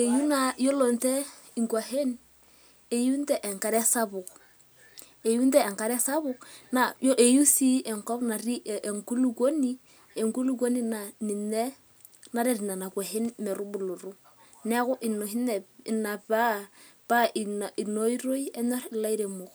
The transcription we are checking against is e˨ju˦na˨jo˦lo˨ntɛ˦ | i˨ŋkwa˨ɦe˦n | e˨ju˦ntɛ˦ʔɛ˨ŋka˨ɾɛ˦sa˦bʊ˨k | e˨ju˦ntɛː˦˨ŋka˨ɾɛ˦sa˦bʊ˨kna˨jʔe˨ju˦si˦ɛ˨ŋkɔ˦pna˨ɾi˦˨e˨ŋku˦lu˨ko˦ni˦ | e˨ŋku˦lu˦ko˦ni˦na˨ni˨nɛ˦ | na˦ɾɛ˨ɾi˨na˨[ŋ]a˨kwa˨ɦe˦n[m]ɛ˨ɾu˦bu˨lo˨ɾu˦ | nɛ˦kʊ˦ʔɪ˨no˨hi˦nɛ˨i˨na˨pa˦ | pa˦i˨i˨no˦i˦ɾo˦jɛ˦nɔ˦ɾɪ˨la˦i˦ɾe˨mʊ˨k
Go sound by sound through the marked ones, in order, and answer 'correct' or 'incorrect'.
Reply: incorrect: n, correct

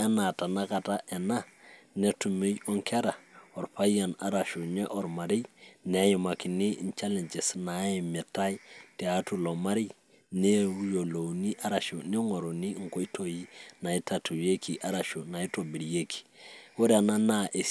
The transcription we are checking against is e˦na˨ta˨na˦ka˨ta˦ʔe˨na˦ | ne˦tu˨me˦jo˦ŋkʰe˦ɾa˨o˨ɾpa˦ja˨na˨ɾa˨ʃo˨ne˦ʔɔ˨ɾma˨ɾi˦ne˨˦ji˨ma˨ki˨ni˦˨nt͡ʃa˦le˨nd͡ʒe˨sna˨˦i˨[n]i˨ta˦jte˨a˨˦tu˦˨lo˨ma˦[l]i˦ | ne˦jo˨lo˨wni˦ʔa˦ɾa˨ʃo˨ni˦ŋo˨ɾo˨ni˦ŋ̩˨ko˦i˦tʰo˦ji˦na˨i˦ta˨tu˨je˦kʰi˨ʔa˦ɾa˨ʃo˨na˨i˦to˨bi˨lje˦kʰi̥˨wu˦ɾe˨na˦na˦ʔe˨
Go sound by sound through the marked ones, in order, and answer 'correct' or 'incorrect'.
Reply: incorrect: m, incorrect: ɾ

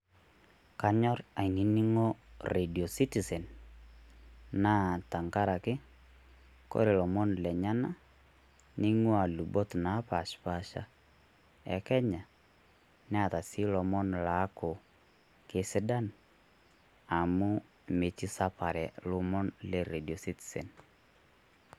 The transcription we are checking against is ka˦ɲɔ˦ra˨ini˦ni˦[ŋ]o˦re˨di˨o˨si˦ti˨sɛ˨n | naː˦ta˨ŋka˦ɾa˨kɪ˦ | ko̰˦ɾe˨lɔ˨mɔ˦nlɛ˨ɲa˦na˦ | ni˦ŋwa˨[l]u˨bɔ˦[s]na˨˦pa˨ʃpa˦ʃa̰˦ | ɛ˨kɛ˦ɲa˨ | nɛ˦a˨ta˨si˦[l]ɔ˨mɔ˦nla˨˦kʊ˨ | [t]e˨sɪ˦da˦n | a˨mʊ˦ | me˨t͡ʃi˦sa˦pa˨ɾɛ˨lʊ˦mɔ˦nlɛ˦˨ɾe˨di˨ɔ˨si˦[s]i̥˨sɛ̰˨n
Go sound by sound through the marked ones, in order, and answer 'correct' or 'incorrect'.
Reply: correct, correct, incorrect: t, correct, incorrect: k, incorrect: t

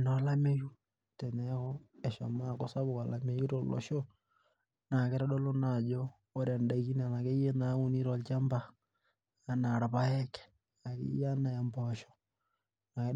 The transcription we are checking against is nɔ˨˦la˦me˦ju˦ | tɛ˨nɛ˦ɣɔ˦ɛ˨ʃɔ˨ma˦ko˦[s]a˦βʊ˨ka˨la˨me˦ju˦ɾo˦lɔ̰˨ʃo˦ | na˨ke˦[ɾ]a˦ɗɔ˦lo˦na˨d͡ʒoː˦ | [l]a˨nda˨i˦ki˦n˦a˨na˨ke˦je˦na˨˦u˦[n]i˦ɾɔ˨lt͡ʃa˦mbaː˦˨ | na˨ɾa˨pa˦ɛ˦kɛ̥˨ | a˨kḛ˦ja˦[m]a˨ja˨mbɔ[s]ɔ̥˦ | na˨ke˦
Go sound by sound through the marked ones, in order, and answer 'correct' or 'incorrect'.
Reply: correct, correct, incorrect: ɾ, correct, incorrect: n, incorrect: ʃ

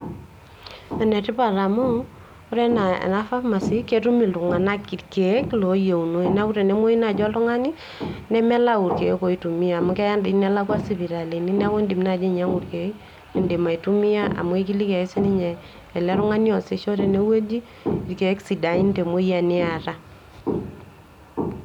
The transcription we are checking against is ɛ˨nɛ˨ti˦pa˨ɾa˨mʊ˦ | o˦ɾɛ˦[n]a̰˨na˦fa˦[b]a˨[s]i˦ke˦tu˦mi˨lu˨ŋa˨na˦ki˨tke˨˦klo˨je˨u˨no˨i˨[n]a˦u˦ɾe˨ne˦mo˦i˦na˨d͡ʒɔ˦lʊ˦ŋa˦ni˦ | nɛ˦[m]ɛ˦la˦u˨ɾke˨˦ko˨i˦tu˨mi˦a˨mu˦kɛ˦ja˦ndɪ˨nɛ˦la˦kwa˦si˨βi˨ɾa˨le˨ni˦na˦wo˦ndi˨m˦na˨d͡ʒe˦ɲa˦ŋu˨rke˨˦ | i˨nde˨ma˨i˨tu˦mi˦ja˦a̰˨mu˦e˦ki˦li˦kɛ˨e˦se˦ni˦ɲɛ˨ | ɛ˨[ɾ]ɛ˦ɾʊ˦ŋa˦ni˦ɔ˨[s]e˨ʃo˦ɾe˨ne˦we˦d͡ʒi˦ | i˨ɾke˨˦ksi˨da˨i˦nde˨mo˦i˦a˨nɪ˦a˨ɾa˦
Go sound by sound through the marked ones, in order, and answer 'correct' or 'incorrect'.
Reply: correct, incorrect: m, correct, correct, correct, incorrect: l, correct

